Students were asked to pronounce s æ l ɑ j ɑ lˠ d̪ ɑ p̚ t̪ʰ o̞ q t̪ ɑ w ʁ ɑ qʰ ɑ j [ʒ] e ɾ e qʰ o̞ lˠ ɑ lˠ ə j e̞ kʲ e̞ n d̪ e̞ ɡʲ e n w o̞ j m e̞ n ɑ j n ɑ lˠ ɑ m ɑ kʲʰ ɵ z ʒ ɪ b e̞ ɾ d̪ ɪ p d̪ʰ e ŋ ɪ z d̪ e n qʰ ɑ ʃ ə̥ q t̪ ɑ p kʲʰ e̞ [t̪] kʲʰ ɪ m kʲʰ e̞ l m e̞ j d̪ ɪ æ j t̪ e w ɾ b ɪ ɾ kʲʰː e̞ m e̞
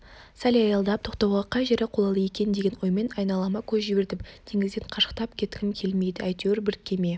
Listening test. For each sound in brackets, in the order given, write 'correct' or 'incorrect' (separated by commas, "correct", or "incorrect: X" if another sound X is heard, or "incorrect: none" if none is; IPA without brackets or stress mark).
correct, correct